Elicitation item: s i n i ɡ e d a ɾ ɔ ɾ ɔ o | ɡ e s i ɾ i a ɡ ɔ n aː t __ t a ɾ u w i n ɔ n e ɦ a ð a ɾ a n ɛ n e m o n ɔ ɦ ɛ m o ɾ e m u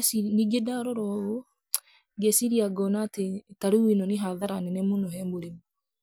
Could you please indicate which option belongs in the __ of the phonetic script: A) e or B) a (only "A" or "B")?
A